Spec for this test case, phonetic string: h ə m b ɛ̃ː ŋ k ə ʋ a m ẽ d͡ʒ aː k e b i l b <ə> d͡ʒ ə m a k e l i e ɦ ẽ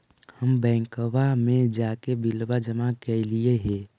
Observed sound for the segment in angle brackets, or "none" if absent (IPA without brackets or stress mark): a